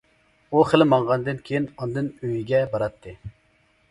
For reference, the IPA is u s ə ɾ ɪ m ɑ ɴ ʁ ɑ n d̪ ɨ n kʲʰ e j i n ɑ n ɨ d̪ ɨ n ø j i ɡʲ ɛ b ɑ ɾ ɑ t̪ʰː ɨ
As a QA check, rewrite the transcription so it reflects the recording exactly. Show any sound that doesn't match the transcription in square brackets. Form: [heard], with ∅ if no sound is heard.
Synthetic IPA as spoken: u [χ] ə [l] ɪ m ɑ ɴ ʁ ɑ n d̪ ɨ n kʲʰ e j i n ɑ n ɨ d̪ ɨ n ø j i ɡʲ ɛ b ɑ ɾ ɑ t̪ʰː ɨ